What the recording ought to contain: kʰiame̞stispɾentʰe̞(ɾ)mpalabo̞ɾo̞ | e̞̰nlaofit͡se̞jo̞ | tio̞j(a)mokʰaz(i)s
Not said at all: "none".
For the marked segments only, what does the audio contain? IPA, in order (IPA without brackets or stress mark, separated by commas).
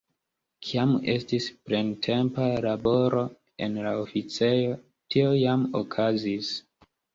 none, a, i